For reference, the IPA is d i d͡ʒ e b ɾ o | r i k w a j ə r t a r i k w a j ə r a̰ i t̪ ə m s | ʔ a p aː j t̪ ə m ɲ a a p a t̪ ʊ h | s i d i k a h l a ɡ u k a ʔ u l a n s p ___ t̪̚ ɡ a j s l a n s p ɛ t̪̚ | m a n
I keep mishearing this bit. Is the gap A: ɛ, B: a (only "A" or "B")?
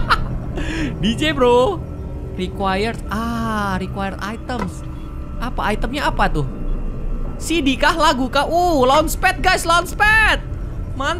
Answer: A